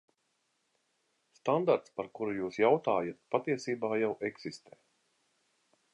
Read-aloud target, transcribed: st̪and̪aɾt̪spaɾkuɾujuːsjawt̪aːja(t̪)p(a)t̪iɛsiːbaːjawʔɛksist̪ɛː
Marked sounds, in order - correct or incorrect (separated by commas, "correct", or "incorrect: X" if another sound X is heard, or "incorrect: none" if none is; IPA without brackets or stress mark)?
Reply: correct, correct